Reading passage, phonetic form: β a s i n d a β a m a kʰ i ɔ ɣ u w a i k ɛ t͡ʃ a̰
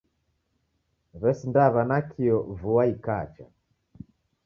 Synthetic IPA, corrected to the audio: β ɛ s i n d a β a n a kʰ i ɔ v u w a i k a t͡ʃ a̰